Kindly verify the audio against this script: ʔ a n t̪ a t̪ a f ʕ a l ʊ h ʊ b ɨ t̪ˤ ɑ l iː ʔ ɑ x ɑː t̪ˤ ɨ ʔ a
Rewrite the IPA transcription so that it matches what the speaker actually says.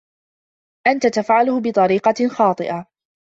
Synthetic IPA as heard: ʔ a n t̪ a t̪ a f ʕ a l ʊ h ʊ b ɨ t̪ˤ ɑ ɾ iː q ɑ x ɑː t̪ˤ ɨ ʔ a